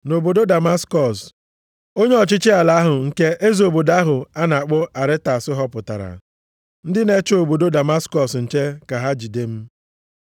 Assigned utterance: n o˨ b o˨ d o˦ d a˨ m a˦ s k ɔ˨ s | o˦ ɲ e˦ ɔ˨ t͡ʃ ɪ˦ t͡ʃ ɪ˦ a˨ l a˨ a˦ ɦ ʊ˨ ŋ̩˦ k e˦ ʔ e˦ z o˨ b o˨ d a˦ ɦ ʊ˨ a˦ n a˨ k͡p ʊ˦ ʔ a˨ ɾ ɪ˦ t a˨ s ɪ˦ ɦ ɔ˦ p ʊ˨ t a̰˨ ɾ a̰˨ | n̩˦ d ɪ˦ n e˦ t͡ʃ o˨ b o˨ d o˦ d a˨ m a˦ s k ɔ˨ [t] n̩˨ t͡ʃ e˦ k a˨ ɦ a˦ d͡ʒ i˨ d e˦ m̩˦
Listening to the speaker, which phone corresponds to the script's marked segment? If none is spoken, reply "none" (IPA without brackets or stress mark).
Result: s